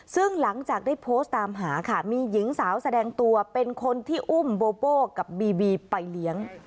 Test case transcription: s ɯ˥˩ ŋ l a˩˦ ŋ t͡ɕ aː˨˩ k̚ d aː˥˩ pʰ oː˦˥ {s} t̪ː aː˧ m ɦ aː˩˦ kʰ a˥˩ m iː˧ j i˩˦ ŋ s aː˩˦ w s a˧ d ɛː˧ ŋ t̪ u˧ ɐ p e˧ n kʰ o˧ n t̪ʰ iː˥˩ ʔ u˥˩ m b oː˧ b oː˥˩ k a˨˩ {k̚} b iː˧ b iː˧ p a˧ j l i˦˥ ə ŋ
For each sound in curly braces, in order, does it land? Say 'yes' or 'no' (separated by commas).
yes, no